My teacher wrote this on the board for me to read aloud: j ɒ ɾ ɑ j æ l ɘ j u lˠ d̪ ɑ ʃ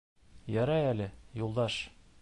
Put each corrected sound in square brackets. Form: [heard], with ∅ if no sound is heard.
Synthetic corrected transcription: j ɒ ɾ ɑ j æ l ɘ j u lˠ d̪ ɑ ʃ